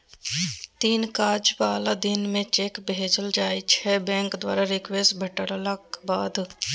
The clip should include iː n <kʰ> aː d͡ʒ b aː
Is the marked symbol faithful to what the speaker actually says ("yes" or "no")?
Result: no